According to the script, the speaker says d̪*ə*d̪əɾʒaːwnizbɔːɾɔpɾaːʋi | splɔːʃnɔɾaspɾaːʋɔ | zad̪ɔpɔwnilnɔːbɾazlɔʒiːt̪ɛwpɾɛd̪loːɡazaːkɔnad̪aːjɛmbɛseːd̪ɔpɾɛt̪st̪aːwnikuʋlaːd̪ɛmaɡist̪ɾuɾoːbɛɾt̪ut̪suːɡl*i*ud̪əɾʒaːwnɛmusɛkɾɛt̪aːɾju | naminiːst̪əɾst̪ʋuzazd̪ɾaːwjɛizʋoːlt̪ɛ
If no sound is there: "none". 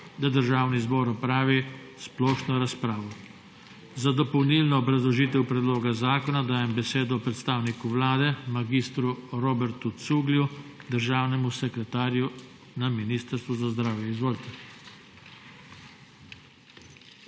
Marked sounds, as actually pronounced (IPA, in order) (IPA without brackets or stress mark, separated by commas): a, j